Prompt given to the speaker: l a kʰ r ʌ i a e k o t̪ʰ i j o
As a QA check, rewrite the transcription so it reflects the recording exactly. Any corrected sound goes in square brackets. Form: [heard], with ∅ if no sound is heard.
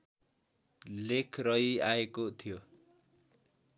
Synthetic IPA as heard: l [e] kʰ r ʌ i a e k o t̪ʰ i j o